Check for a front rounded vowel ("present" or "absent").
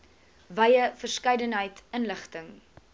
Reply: absent